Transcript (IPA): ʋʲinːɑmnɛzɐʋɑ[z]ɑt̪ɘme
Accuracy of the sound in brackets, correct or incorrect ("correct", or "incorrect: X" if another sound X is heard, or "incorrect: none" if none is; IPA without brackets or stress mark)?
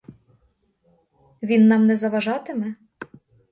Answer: incorrect: ʒ